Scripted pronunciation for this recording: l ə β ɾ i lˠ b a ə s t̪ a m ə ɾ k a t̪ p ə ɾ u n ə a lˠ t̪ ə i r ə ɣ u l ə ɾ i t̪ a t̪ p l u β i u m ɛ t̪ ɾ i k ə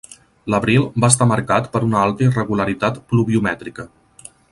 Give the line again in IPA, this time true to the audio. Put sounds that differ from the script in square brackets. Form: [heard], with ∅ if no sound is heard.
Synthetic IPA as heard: l ə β ɾ i lˠ b a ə s t̪ a m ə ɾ k a t̪ p ə ɾ u n ə a lˠ t̪ ə i r ə ɣ u l ə ɾ i t̪ a t̪ p l u β i u m ɛ t̪ ɾ i k ə